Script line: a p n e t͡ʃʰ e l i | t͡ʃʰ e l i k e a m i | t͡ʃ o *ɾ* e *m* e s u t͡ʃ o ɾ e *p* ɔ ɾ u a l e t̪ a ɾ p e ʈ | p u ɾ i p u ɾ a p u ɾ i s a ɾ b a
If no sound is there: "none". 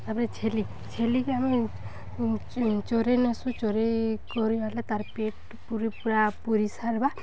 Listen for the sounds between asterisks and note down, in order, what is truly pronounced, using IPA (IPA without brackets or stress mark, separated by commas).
ɾ, n, k